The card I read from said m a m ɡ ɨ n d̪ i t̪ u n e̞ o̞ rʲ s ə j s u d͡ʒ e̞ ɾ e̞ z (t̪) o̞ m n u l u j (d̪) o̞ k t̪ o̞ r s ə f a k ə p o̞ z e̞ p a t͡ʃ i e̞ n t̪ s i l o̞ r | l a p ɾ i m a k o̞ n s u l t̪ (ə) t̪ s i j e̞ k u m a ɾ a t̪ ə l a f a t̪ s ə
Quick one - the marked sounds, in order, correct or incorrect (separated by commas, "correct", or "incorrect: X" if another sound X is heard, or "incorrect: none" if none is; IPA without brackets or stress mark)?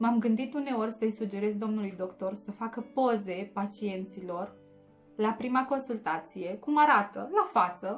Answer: incorrect: d̪, correct, incorrect: a